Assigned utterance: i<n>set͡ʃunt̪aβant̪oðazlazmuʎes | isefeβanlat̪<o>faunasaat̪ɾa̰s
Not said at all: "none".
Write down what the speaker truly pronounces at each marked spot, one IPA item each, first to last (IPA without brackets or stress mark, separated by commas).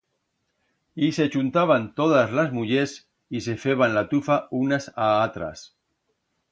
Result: none, u